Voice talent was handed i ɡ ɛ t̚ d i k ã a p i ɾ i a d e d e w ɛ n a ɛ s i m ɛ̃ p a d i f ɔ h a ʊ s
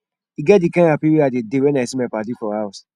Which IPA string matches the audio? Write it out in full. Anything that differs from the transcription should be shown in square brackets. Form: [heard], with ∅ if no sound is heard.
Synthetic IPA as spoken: i ɡ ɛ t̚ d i k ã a p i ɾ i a d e d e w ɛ n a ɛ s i m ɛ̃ p a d i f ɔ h a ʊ s